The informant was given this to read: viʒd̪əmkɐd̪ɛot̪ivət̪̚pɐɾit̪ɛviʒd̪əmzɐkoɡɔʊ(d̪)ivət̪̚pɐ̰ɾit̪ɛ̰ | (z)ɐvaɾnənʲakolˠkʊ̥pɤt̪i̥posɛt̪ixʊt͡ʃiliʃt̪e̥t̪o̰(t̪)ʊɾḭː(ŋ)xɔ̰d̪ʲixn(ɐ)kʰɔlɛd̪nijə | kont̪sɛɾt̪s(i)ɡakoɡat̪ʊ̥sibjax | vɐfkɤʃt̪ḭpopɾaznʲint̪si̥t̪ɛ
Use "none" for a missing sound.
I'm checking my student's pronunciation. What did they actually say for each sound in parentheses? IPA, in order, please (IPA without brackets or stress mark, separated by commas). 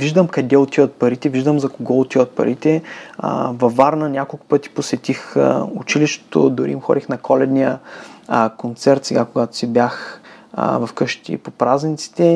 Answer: t̪, v, d̪, m, ɐ, ɛ